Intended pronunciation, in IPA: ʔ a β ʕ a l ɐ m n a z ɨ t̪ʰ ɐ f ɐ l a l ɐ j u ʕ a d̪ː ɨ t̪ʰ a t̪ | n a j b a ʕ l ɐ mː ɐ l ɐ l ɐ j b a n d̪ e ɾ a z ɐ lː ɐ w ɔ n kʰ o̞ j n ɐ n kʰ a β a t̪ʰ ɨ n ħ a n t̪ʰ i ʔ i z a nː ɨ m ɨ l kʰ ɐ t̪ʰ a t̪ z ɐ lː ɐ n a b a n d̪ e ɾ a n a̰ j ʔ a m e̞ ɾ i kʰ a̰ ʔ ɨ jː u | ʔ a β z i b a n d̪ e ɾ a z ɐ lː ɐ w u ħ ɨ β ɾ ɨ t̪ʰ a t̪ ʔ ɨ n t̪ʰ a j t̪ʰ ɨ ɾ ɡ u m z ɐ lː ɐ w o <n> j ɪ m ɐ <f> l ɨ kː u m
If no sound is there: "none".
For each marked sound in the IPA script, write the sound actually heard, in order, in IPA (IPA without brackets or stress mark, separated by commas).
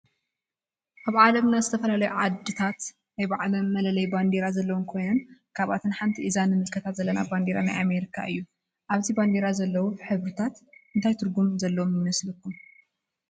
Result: m, s